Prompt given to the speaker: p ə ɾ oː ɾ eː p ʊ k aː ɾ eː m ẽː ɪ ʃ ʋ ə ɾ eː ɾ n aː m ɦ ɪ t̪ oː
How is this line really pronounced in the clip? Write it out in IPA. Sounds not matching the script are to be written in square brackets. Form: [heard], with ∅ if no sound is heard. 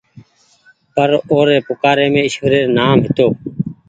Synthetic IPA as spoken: p ə ɾ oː ɾ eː p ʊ k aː ɾ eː m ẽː ɪ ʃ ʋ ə ɾ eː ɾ n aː m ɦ ɪ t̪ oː